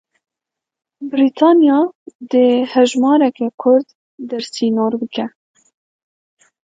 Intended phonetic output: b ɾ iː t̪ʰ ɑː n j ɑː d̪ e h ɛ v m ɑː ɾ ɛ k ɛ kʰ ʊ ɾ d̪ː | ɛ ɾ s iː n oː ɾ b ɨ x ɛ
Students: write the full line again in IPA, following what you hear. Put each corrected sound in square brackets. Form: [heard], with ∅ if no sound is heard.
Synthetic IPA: b ɾ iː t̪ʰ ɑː n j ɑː d̪ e h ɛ [ʒ] m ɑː ɾ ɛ k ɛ kʰ ʊ ɾ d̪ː | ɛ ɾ s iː n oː ɾ b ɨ [k] ɛ